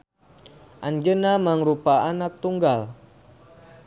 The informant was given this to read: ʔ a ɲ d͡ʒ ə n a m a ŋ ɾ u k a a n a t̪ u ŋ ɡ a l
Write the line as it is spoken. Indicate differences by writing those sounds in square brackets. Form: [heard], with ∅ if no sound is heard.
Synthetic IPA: ʔ a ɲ d͡ʒ ə n a m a ŋ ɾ u [p] a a n a t̪ u ŋ ɡ a l